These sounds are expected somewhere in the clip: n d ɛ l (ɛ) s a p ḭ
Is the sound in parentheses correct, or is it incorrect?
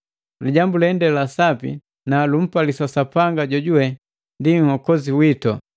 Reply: incorrect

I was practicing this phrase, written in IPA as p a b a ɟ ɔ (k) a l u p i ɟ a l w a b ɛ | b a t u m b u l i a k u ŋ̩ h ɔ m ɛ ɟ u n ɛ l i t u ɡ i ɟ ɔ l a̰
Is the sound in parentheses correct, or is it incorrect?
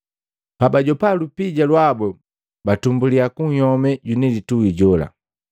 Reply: incorrect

